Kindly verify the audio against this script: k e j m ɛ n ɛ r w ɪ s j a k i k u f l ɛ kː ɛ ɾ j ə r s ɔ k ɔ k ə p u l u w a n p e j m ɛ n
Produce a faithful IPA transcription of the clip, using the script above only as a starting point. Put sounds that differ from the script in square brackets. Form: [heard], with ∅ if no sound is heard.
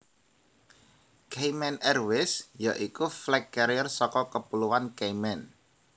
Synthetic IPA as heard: k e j m ɛ n ɛ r w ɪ s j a [ʔ] i k u f l ɛ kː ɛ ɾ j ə r s ɔ k ɔ k ə p u l u w a n [k] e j m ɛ n

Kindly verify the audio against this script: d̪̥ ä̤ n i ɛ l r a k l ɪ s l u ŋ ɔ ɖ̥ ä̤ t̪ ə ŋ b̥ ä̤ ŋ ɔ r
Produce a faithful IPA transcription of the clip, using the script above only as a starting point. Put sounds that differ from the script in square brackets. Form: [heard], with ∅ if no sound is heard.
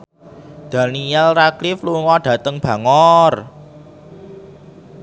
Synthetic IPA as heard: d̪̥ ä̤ n i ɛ l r a k l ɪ [f] l u ŋ ɔ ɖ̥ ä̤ t̪ ə ŋ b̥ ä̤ ŋ ɔ r

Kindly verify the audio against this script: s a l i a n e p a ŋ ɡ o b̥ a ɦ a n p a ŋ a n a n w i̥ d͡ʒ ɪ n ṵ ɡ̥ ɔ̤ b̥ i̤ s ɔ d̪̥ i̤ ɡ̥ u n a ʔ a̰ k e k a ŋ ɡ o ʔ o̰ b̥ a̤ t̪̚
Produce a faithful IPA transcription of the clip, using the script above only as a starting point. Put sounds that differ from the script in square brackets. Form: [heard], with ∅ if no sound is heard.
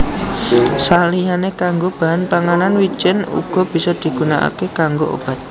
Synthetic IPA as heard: s a l i a n e [k] a ŋ ɡ o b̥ a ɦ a n p a ŋ a n a n w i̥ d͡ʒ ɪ n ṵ ɡ̥ ɔ̤ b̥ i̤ s ɔ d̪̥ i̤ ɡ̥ u n a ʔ a̰ k e k a ŋ ɡ o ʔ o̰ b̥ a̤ t̪̚

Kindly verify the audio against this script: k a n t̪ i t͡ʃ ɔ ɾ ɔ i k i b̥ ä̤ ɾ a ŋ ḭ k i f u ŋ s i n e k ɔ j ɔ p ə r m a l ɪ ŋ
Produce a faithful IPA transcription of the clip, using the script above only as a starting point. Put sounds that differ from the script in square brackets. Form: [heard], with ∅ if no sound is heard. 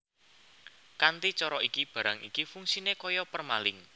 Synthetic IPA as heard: k a n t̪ i t͡ʃ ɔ ɾ ɔ i k i b̥ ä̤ ɾ a ŋ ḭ k i f u ŋ s i n e k ɔ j ɔ p ə r m a l ɪ ŋ

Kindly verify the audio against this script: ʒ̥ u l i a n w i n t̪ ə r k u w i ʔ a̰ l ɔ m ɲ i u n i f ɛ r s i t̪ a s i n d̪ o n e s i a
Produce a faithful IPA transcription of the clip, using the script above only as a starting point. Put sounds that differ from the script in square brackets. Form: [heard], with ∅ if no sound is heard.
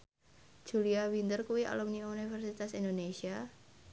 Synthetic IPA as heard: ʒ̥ u l i a [∅] w i n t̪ ə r k u w i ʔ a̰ l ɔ m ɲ i u n i f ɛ r s i t̪ a s i n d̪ o n e s i a

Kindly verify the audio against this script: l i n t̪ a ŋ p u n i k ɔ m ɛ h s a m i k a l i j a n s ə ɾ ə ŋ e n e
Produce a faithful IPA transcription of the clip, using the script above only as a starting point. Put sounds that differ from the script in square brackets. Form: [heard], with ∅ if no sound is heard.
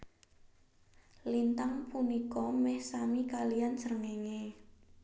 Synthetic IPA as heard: l i n t̪ a ŋ p u n i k ɔ m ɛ h s a m i k a l i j a n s ə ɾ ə ŋ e [ŋ] e

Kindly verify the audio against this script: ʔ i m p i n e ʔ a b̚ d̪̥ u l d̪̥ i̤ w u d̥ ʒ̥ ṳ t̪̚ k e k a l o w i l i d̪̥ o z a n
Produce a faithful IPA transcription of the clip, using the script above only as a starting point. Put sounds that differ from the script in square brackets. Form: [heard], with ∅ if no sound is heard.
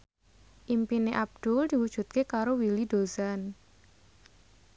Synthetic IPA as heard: ʔ i m p i n e ʔ a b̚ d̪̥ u l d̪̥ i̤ w u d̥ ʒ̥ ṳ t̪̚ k e k a [ɾ] o w i l i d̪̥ o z a n

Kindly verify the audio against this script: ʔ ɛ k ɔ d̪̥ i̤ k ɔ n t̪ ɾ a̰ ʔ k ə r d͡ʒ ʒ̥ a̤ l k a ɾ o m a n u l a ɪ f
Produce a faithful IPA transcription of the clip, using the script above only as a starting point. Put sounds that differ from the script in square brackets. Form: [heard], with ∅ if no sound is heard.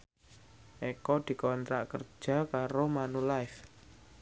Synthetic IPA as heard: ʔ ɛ k ɔ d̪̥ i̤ k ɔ n t̪ ɾ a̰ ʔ k ə r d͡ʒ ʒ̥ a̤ [∅] k a ɾ o m a n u l a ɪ f

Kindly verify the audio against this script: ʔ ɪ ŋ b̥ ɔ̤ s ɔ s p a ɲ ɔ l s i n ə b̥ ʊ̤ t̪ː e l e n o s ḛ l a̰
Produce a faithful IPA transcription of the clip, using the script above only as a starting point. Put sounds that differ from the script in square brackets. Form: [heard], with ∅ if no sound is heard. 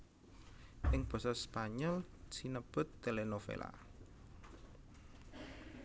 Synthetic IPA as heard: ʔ ɪ ŋ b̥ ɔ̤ s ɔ s p a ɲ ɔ l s i n ə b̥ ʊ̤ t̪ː e l e n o [f] ḛ l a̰

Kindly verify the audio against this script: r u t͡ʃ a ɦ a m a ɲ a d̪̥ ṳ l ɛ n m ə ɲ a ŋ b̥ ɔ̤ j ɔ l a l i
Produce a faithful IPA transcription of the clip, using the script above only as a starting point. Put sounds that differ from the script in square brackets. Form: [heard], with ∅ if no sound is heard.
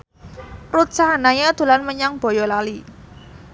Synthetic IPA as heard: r u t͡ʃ a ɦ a [n] a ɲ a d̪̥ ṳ l [a] n m ə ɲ a ŋ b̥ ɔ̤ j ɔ l a l i

